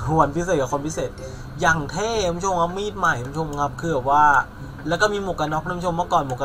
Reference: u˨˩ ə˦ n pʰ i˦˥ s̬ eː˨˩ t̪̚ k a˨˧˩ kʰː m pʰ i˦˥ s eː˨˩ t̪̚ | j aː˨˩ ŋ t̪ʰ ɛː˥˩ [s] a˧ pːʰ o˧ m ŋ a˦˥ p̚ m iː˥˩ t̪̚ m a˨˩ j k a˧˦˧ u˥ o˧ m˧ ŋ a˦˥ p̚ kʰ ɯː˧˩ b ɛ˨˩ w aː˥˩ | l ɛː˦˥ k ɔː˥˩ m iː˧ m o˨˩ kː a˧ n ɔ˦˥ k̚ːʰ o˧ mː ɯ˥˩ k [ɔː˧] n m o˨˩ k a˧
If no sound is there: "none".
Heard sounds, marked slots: none, ɔː˨˩

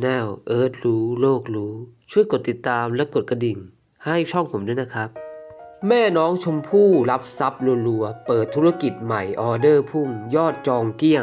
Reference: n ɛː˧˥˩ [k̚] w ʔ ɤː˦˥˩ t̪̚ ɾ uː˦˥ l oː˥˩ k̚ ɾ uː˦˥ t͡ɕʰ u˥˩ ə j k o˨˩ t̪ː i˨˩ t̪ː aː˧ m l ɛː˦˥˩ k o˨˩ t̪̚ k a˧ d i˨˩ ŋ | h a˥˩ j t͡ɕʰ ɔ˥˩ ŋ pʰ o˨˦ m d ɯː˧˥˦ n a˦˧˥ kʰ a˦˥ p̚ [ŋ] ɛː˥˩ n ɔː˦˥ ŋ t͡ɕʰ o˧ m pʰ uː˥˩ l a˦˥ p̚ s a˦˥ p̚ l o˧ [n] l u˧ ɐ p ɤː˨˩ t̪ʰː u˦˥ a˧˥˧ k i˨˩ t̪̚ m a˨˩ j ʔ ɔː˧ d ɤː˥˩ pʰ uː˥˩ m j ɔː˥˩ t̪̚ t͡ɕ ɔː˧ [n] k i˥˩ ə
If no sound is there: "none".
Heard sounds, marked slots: none, m, n, ŋ

